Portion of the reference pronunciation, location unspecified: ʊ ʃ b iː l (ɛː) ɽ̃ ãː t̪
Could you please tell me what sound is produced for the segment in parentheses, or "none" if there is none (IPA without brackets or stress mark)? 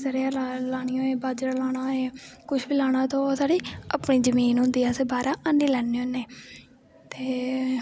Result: aː